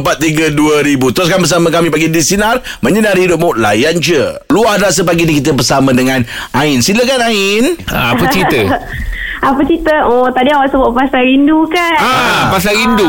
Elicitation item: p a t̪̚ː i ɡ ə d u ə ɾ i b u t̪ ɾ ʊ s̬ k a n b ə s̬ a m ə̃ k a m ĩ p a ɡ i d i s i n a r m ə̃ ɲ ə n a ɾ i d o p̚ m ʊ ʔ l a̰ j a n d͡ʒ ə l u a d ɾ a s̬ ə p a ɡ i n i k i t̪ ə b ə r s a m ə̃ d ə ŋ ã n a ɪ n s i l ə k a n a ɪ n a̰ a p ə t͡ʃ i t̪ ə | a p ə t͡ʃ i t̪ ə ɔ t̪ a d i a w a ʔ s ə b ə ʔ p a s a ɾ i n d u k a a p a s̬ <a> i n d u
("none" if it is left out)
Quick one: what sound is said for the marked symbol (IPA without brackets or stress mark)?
a